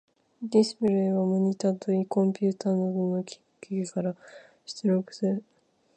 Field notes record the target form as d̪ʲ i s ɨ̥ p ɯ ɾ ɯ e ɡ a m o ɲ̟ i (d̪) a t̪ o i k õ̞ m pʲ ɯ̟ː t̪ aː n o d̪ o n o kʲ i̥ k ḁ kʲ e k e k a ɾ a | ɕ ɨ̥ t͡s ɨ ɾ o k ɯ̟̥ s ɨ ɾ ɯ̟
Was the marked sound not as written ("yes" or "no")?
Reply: yes